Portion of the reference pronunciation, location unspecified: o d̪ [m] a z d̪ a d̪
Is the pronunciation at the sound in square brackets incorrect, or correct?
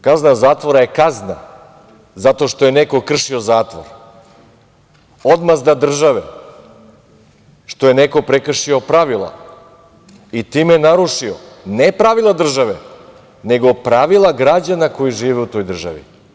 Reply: correct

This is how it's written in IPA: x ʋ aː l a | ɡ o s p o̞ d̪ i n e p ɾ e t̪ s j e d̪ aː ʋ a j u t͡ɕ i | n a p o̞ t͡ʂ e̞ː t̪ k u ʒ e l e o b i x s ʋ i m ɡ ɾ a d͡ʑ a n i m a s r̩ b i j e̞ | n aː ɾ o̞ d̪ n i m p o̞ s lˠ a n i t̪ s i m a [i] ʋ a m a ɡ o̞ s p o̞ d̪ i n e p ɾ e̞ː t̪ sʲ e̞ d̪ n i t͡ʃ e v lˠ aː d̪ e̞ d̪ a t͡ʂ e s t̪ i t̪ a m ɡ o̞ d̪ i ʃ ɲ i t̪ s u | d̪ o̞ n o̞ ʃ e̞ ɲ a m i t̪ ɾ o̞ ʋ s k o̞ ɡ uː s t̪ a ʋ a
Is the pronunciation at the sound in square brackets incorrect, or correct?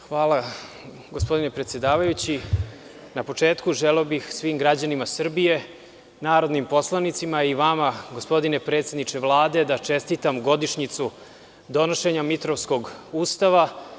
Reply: correct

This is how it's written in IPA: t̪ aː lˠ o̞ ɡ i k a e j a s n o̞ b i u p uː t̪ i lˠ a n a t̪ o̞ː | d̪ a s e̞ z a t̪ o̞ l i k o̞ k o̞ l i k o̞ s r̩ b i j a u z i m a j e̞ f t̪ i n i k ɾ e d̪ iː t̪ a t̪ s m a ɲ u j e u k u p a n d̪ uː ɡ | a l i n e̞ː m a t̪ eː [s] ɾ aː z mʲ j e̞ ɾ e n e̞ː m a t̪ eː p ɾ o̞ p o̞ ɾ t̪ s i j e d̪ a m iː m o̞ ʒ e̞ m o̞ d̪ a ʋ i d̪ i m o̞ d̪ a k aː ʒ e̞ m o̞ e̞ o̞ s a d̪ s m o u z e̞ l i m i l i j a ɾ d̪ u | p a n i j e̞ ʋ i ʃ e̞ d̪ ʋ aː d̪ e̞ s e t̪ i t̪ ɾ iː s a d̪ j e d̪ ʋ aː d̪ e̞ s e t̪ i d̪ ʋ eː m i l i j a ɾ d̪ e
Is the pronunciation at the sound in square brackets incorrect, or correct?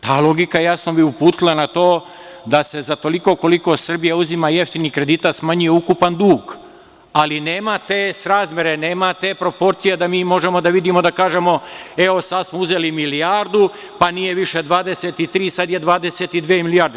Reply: correct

